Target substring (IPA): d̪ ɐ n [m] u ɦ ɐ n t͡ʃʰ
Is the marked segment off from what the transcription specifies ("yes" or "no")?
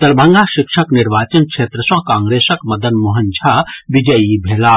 no